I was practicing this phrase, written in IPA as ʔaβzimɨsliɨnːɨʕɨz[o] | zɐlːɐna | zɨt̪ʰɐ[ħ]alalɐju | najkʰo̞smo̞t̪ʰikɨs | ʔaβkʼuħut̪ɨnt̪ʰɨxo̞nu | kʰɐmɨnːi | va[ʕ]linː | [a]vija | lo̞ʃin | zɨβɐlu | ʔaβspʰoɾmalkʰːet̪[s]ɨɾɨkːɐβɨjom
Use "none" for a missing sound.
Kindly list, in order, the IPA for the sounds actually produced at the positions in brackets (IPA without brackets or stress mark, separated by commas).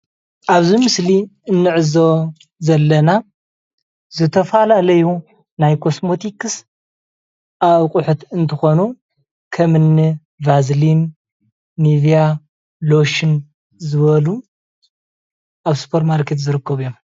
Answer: o, f, z, i, z